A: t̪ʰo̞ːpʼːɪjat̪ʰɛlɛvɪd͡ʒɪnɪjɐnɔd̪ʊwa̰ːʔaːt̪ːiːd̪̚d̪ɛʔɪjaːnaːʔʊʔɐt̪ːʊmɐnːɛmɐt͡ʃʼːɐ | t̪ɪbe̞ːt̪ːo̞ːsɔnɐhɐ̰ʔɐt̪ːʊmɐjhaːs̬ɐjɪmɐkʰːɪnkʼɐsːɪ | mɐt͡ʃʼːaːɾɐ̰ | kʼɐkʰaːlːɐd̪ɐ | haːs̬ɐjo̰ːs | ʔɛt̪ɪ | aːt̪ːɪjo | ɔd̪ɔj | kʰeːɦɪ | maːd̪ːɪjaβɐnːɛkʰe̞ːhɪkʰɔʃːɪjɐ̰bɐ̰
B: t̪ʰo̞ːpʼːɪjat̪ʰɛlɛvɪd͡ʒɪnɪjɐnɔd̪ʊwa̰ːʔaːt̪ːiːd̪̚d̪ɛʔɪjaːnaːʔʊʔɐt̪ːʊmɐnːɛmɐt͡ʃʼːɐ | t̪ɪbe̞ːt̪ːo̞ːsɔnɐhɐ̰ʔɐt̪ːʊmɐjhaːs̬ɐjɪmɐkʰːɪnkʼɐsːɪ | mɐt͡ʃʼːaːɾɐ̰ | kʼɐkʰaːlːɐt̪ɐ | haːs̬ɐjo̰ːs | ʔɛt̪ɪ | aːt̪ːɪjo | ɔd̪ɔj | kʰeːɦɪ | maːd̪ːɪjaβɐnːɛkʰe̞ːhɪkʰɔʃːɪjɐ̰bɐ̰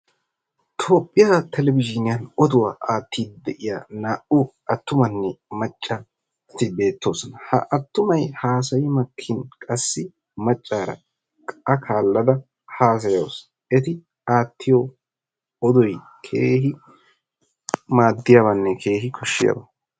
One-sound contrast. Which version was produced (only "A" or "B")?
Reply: A